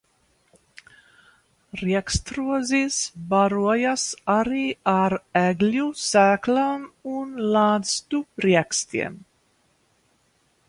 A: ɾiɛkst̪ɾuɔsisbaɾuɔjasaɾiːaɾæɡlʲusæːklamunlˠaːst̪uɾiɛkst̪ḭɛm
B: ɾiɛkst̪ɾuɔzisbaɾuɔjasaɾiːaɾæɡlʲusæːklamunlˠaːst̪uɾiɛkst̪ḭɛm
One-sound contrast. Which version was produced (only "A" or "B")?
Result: B